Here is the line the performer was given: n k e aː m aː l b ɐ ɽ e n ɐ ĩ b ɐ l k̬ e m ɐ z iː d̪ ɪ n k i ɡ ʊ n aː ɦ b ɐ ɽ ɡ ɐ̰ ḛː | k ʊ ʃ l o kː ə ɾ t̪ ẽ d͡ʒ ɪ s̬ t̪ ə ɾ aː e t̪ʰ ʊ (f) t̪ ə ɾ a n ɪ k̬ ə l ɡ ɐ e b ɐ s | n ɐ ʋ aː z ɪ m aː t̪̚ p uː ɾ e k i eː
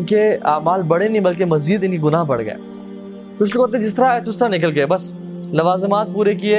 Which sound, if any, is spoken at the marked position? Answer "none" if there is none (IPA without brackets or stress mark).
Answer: s